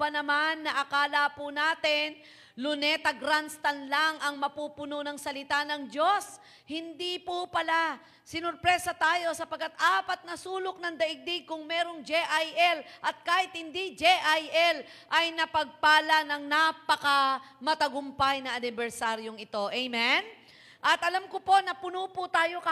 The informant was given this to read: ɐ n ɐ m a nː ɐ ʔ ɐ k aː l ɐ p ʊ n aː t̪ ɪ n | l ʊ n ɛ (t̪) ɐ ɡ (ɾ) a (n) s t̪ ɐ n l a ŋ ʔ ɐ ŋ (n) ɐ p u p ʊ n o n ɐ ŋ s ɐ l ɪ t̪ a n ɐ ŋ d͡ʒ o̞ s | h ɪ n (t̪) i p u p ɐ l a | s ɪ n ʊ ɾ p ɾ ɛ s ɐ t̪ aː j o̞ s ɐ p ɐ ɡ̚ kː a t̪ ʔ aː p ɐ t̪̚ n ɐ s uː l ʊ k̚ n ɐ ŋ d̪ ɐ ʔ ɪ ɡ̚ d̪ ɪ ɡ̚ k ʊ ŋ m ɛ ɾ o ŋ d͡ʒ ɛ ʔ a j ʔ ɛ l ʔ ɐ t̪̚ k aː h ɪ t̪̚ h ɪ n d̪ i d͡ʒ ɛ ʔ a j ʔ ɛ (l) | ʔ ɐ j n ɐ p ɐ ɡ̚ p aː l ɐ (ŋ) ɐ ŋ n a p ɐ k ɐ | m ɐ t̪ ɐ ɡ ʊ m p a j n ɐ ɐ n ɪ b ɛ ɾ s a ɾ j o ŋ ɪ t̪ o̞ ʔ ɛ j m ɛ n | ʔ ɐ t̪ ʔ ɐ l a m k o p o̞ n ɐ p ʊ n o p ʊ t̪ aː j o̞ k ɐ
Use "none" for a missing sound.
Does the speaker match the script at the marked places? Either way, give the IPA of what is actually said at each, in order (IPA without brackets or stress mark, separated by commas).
t̪, ɾ, n, m, d̪, l, n